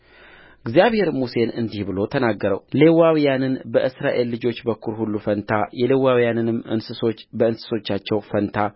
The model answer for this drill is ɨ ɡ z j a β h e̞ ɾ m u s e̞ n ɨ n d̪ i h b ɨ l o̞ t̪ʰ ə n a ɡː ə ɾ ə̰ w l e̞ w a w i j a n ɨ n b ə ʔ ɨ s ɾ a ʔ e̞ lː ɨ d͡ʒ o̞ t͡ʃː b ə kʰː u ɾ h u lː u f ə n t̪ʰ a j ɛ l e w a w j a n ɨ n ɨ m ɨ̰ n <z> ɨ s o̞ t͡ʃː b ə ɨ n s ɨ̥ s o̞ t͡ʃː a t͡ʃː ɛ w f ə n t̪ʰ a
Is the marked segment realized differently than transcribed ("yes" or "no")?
yes